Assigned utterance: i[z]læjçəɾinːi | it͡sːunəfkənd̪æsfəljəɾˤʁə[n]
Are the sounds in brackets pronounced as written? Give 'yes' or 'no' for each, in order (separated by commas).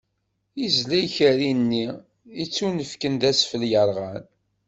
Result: yes, yes